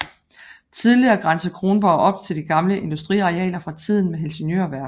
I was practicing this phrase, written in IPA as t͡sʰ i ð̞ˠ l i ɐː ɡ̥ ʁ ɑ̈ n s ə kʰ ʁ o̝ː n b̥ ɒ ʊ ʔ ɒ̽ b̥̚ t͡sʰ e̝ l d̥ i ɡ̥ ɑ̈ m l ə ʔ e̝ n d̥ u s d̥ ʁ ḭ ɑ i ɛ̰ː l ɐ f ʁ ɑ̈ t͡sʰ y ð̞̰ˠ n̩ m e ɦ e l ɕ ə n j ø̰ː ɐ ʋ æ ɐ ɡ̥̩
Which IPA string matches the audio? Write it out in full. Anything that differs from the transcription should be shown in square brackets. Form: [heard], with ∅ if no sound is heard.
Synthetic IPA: t͡sʰ i ð̞ˠ l i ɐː ɡ̥ ʁ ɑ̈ n s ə kʰ ʁ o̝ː n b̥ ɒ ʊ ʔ ɒ̽ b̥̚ t͡sʰ e̝ l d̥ i ɡ̥ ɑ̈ m l ə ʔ e̝ n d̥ u s d̥ ʁ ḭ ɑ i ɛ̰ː l ɐ f ʁ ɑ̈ t͡sʰ [i] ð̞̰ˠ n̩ m e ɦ e l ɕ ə n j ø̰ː ɐ ʋ æ ɐ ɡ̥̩